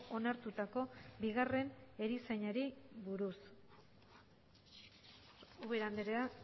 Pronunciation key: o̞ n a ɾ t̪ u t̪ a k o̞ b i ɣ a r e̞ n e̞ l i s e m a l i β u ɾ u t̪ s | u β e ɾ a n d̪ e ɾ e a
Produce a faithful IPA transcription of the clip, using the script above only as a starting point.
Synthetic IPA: o̞ n a ɾ t̪ u t̪ a k o̞ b i ɣ a r e̞ n e̞ ɾ i s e ɲ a ɾ i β u ɾ u s | u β e ɾ a n d̪ e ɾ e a